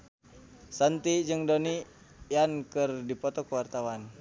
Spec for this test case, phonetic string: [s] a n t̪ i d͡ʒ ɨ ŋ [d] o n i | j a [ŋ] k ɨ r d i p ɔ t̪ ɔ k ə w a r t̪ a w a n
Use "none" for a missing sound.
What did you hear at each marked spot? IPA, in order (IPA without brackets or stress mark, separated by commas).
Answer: s, d, n